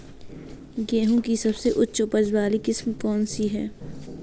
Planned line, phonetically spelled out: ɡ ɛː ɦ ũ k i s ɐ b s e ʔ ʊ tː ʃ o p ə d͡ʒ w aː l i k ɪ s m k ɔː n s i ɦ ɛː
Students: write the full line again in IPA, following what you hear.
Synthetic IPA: ɡ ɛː ɦ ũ k i s ɐ b s e ʔ ʊ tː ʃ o p ə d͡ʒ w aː l i k ɪ s m k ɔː n s i ɦ ɛː